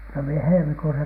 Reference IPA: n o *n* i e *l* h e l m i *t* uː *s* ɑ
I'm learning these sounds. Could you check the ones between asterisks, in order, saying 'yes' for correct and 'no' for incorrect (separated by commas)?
no, no, no, yes